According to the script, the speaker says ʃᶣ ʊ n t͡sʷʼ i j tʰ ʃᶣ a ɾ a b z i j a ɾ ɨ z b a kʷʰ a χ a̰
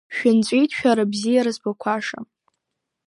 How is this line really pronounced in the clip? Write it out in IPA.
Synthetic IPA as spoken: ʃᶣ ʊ n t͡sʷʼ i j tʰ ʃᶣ a ɾ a b z i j a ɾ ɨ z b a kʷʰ a ʂ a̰